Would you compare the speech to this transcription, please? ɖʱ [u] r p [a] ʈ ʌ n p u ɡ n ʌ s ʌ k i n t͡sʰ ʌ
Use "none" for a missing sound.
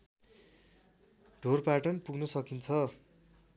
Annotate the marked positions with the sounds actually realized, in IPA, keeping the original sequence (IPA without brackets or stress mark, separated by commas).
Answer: o, a